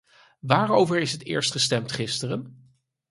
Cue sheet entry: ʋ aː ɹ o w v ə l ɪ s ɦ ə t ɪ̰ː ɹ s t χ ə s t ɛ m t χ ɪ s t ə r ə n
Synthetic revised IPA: ʋ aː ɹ o w v ə ɹ ɪ s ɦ ə t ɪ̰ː ɹ s t χ ə s t ɛ m t χ ɪ s t ə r ə n